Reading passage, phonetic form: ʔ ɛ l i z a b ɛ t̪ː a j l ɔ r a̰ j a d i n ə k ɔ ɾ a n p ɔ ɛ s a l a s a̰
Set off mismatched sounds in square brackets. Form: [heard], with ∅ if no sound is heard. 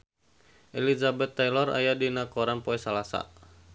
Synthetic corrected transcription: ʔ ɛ l i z a b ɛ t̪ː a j l ɔ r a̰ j a d i n [a] k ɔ ɾ a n p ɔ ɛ s a l a s a̰